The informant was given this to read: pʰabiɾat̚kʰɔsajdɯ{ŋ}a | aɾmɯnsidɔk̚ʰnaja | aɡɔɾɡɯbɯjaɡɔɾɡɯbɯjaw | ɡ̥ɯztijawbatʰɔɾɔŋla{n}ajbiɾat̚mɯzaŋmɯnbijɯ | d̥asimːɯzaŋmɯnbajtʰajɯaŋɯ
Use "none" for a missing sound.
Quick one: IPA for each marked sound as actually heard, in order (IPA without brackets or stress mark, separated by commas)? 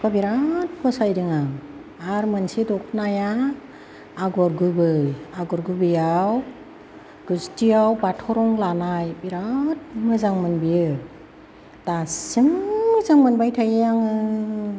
ŋ, n